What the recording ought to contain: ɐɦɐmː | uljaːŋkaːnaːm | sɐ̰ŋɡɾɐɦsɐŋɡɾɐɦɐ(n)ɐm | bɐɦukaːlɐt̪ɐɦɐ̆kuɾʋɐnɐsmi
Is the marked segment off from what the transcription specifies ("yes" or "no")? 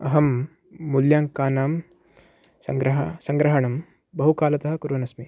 yes